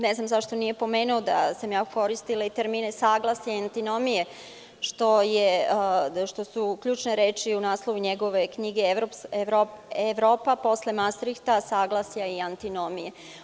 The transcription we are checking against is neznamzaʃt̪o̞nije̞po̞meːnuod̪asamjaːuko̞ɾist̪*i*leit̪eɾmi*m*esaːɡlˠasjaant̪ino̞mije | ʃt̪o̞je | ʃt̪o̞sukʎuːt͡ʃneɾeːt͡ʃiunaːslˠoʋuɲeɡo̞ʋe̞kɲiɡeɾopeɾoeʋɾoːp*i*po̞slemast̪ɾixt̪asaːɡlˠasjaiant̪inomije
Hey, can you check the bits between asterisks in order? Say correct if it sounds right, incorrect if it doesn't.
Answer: correct, incorrect, incorrect

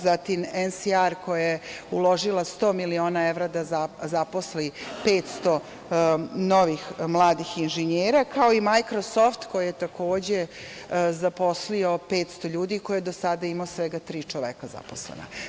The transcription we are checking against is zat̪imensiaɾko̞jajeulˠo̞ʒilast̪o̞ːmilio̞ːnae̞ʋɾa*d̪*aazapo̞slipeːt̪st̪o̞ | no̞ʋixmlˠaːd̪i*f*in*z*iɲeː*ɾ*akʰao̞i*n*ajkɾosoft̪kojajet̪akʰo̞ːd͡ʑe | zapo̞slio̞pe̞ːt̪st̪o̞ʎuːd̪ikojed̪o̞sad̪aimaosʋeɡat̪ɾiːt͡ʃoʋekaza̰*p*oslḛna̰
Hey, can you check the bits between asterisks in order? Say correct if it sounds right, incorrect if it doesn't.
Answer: correct, incorrect, incorrect, correct, incorrect, correct

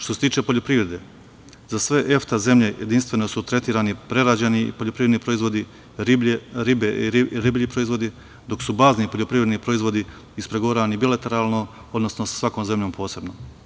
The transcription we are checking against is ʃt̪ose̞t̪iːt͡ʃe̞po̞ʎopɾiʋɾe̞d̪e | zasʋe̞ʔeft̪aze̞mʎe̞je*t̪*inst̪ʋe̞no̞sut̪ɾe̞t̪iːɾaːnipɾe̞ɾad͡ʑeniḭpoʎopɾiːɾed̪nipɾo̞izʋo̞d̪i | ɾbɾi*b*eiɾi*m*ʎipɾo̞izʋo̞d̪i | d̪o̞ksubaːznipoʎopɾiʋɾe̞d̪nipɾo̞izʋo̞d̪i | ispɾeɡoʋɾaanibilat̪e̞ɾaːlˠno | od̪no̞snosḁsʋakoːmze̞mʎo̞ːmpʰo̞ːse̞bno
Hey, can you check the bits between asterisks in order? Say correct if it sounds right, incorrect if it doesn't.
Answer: incorrect, correct, incorrect

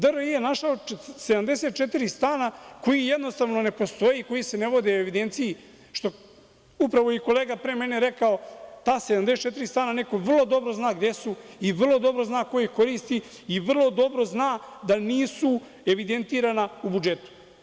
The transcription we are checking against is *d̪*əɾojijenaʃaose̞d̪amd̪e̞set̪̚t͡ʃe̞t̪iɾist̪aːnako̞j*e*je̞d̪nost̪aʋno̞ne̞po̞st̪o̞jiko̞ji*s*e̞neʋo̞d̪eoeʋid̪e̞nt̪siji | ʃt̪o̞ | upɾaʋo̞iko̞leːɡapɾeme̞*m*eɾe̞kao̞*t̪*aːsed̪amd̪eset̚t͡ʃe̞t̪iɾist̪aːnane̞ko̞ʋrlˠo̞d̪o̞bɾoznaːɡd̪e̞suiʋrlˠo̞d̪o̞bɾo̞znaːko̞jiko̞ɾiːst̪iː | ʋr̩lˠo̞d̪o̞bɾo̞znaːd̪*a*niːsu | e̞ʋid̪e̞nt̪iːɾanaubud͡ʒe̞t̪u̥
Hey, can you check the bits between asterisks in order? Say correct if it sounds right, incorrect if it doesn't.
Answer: correct, incorrect, correct, incorrect, correct, correct

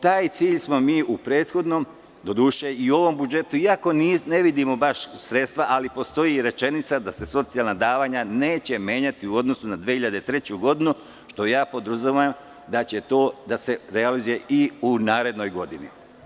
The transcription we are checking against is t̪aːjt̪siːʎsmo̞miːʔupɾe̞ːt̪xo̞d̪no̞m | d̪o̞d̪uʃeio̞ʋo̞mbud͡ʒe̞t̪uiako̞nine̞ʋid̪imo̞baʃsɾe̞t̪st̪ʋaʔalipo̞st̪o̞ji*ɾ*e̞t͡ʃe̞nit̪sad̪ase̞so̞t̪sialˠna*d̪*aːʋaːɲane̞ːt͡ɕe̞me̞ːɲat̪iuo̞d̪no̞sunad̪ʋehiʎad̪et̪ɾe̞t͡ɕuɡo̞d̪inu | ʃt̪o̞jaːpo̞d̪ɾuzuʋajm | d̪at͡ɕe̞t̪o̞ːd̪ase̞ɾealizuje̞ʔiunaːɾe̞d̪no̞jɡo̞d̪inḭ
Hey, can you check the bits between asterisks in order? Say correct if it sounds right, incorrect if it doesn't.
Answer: correct, correct

